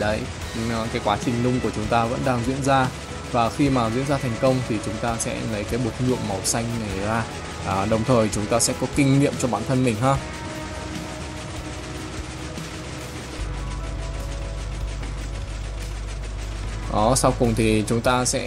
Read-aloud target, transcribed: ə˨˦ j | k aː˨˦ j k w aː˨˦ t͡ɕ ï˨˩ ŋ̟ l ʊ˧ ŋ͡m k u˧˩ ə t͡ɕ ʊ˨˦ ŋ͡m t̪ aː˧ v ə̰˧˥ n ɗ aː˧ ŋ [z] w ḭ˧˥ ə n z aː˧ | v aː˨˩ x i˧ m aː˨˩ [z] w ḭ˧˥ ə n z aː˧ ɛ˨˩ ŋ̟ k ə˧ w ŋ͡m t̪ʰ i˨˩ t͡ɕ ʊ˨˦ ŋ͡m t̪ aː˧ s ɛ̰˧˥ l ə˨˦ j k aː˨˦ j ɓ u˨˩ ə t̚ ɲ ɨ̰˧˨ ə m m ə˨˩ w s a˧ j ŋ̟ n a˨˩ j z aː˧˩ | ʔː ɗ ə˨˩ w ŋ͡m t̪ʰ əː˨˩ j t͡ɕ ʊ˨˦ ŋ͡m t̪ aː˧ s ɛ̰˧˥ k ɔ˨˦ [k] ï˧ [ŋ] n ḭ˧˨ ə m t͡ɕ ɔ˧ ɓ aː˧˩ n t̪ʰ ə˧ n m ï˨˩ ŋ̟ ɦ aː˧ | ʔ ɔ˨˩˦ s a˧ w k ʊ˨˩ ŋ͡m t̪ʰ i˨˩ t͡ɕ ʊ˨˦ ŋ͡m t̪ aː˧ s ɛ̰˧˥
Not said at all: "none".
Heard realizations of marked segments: z, z, k, ŋ

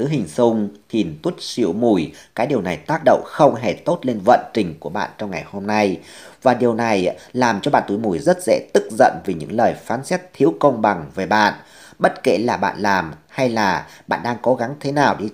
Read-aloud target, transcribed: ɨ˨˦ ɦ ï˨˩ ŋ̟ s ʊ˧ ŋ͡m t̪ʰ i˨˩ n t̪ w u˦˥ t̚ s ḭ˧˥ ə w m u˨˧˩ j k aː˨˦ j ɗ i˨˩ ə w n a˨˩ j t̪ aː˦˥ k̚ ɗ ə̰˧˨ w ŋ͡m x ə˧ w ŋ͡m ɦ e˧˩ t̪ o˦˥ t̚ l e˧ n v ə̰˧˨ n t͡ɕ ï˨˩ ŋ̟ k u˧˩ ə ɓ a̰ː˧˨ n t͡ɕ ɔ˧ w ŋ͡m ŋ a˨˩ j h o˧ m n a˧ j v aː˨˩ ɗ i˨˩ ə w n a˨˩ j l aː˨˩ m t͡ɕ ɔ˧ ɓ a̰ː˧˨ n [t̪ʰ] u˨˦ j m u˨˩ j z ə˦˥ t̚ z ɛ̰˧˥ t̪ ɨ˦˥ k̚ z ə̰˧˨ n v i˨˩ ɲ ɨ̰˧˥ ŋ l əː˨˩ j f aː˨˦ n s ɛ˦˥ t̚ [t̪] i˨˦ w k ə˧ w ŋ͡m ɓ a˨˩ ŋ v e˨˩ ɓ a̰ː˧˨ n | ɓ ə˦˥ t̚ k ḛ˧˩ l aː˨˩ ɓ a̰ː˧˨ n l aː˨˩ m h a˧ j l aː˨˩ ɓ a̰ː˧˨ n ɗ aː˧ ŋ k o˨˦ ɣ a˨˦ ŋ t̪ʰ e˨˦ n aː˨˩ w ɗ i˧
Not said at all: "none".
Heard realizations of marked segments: t̪, t̪ʰ

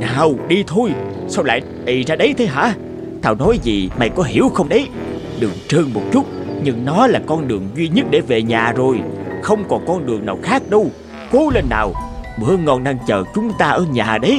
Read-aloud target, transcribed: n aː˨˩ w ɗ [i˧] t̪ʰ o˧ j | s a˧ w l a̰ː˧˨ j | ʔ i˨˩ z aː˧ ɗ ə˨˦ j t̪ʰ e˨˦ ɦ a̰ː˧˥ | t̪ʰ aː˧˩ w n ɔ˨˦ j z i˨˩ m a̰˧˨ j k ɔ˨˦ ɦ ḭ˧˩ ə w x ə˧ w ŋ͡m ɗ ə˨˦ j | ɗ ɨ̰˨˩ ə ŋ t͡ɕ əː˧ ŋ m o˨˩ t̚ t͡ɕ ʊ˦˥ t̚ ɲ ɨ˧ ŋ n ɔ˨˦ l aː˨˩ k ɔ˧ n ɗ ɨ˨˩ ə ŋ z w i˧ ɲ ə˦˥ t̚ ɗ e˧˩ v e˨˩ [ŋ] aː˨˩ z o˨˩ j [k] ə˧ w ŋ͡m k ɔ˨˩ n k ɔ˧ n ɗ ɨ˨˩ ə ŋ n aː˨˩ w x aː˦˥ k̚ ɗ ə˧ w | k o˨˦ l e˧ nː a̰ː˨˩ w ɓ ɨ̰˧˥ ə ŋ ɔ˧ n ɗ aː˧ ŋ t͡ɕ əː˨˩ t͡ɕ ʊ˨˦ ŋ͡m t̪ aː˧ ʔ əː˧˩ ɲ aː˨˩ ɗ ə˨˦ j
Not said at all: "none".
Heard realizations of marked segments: i˧, ɲ, x

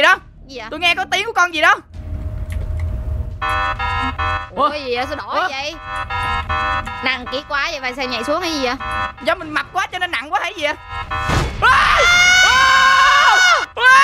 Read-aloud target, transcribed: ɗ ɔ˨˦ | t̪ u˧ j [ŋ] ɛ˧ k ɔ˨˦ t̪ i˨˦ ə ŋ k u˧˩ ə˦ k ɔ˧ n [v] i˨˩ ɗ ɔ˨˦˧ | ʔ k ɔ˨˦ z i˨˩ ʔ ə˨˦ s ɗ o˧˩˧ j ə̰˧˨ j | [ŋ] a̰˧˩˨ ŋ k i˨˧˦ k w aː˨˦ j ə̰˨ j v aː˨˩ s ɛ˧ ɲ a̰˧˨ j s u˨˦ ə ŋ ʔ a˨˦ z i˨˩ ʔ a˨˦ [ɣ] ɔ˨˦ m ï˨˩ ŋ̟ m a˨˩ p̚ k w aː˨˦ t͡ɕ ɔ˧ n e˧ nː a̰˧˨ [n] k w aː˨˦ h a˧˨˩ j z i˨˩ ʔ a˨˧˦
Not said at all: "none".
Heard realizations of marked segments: ŋ, z, n, z, ŋ

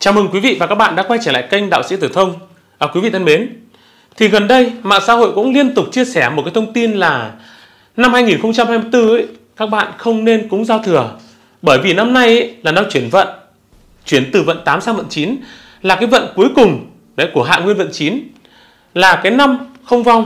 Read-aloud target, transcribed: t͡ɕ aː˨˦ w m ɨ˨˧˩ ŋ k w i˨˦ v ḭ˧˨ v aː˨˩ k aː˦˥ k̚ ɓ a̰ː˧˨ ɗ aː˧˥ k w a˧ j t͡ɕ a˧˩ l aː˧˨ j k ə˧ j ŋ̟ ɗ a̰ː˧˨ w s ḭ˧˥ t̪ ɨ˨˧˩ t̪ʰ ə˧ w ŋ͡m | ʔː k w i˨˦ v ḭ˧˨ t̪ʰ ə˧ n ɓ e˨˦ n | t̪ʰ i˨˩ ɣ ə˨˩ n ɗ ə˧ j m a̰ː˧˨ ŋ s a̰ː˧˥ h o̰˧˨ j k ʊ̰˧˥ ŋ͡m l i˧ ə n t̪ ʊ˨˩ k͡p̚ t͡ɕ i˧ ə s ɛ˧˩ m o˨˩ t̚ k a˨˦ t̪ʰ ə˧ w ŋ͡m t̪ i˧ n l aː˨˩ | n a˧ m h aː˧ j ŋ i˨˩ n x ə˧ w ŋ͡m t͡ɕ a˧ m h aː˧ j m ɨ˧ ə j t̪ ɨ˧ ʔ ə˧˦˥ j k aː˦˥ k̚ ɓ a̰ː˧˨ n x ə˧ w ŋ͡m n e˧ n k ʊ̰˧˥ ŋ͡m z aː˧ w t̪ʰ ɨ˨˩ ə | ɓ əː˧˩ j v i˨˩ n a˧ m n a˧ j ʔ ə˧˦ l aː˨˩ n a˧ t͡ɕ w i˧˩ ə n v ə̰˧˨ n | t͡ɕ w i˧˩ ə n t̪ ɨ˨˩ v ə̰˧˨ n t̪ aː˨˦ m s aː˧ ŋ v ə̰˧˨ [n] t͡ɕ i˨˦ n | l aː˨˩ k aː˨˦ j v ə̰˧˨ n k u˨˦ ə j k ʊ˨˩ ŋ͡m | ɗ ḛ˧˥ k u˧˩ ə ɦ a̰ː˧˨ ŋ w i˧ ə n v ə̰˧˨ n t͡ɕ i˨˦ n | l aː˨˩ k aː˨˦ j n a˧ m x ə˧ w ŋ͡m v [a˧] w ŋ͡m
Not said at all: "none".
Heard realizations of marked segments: n, a˧

